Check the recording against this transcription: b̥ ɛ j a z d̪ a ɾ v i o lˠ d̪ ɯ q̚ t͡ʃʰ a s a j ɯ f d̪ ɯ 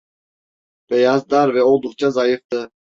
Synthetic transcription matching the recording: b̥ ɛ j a z d̪ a ɾ v ɛ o lˠ d̪ u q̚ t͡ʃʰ a z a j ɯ f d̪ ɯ

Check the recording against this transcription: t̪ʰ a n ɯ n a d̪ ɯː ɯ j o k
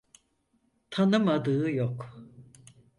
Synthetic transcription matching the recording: t̪ʰ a n ɯ m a d̪ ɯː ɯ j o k

